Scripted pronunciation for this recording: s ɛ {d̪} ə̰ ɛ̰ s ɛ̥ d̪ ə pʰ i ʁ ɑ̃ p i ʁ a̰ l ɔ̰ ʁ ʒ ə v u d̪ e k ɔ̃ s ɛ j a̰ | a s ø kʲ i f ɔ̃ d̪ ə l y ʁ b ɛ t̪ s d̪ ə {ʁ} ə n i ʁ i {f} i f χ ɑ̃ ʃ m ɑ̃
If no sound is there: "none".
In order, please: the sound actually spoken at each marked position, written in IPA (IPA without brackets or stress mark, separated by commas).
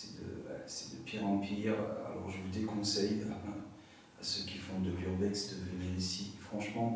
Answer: d̪, v, s